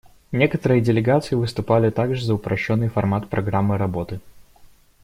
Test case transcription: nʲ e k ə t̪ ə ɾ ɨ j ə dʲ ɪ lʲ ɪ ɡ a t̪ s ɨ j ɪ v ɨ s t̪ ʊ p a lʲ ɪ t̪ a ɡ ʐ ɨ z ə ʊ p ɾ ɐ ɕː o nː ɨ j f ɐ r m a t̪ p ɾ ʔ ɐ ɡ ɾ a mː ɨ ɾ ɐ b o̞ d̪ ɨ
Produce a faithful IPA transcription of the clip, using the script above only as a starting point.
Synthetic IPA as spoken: nʲ e k ə t̪ ə ɾ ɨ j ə dʲ ɪ lʲ ɪ ɡ a t̪ s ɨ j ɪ v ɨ s t̪ ʊ p a lʲ ɪ t̪ a ɡ ʐ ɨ z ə ʊ p ɾ ɐ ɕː o nː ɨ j f ɐ r m a t̪ p ɾ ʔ ɐ ɡ ɾ a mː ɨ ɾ ɐ b o̞ t̪ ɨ